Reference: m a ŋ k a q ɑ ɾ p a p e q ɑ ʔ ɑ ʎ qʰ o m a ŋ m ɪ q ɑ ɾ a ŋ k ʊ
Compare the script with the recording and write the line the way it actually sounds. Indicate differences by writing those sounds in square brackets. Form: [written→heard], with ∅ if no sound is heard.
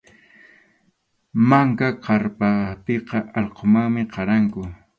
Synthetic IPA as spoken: m a ŋ k a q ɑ ɾ p a p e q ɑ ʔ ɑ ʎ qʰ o m a ŋ m ɪ q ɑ ɾ a ŋ k ʊ